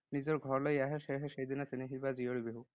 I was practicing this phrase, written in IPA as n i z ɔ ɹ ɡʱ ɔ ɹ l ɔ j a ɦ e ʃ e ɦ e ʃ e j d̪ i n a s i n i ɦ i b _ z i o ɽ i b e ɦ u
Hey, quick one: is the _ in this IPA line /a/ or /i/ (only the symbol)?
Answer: a